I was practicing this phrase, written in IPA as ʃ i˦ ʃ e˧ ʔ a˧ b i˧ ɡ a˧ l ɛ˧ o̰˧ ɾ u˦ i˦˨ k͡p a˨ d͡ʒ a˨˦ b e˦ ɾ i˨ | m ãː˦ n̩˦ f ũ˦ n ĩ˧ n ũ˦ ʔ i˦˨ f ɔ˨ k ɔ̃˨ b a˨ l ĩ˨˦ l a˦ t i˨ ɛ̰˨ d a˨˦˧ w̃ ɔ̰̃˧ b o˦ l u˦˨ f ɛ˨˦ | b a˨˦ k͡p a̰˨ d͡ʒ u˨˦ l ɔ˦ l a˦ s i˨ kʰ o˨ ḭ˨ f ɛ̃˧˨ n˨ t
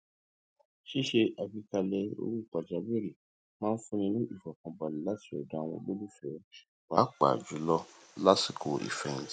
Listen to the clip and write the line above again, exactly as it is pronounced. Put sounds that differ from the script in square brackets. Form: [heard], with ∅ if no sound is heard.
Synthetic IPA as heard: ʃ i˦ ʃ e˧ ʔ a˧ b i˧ [k] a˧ l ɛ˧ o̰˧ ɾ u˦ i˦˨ k͡p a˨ d͡ʒ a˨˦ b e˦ ɾ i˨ | m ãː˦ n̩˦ f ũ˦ n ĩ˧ n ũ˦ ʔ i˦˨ f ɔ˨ k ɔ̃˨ b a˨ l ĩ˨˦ l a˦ t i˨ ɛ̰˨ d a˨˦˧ w̃ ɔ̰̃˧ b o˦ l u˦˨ f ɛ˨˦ | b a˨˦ k͡p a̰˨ d͡ʒ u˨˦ l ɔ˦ l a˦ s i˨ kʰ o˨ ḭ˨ f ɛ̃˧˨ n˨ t

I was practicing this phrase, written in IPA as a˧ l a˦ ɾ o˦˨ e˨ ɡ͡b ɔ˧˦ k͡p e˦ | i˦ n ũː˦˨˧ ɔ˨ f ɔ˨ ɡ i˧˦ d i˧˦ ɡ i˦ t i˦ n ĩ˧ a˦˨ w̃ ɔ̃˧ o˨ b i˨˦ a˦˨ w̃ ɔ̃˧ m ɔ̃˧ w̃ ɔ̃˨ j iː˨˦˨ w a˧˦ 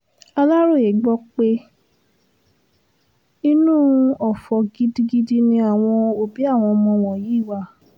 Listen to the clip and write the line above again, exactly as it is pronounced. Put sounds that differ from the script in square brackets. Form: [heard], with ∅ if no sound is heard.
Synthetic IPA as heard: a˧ l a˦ ɾ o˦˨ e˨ ɡ͡b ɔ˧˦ k͡p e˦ | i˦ n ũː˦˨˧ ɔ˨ f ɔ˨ ɡ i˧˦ d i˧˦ ɡ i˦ [d] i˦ n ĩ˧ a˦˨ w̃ ɔ̃˧ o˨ b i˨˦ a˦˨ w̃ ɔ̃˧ m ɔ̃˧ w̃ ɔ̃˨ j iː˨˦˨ w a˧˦

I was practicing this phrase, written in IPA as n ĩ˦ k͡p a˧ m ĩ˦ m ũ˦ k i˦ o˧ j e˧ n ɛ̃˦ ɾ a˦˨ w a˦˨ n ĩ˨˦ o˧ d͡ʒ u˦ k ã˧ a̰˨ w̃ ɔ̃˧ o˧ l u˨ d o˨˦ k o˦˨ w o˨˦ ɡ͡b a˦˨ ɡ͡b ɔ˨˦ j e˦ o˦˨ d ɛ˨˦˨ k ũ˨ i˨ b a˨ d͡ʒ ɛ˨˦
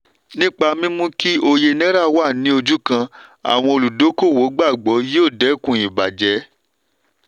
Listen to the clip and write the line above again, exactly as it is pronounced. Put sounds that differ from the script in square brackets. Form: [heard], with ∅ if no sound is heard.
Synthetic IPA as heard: n ĩ˦ k͡p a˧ m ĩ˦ m ũ˦ k i˦ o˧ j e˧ n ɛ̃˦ ɾ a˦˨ w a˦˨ n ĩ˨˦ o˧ d͡ʒ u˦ k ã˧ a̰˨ w̃ ɔ̃˧ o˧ l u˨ d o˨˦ k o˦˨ w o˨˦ ɡ͡b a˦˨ ɡ͡b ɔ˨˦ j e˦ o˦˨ d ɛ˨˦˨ k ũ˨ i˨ b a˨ d͡ʒ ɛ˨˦

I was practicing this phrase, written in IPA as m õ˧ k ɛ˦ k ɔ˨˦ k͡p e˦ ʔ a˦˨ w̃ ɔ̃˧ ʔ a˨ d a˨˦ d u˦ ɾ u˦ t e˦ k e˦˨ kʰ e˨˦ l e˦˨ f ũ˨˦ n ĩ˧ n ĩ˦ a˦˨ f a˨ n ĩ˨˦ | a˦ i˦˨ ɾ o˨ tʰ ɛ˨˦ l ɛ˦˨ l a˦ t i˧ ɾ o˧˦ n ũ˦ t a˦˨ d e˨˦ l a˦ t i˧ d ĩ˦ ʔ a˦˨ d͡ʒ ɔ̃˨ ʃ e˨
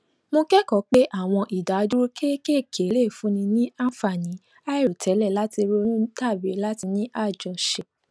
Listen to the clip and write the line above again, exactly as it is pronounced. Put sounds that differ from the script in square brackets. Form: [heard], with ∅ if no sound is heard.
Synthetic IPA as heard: m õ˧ k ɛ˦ k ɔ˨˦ k͡p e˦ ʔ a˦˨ w̃ ɔ̃˧ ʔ [i˨] d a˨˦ d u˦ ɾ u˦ [k] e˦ k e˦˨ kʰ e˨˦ l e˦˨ f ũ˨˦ n ĩ˧ n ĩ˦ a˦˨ f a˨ n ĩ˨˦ | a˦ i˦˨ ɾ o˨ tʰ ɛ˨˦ l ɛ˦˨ l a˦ t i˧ ɾ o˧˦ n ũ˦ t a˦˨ [b] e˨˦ l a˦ t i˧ [n] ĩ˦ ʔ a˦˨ d͡ʒ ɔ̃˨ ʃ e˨

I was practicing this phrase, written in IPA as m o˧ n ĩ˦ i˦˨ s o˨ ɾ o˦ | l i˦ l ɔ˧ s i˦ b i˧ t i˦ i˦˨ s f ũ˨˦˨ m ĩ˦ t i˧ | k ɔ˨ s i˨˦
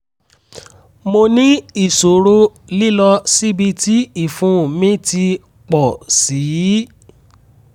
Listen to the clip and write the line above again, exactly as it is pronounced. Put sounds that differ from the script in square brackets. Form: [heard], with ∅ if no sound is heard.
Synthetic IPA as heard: m o˧ n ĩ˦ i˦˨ s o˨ ɾ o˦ | l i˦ l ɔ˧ s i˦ b i˧ t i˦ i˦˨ [∅] f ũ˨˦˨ m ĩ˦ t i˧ | [k͡p] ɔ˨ s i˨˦

